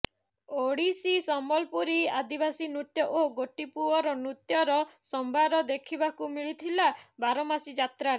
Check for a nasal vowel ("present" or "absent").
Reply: absent